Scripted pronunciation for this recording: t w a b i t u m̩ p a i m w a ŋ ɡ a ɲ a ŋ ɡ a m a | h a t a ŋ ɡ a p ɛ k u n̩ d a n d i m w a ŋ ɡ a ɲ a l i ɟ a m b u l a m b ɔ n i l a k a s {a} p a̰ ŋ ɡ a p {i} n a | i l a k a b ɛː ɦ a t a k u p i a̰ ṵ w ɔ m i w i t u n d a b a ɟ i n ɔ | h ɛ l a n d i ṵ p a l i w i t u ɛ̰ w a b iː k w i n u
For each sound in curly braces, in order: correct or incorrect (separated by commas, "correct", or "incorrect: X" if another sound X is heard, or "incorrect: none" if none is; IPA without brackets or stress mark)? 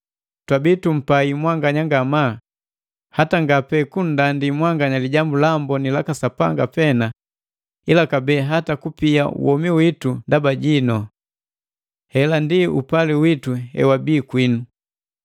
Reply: correct, incorrect: ɛ